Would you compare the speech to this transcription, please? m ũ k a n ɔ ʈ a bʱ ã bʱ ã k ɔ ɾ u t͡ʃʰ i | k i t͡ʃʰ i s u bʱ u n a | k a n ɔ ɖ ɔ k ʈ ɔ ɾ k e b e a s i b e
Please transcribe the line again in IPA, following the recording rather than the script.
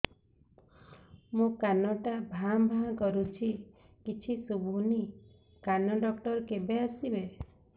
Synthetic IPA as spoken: m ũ k a n ɔ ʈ a bʱ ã bʱ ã k ɔ ɾ u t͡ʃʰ i | k i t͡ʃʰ i s u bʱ u n i | k a n ɔ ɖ ɔ k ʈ ɔ ɾ k e b e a s i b e